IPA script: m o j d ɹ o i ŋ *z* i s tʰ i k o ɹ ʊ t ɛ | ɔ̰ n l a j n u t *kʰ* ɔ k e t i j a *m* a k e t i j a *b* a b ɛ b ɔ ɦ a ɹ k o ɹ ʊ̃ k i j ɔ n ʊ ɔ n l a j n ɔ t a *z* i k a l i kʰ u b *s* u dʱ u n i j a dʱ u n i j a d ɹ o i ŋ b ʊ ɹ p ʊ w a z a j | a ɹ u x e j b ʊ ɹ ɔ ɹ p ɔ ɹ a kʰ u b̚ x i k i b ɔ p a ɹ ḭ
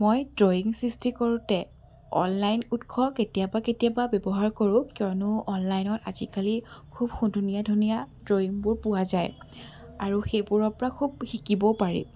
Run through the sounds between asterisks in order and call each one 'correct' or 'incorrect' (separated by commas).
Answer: incorrect, correct, incorrect, correct, correct, incorrect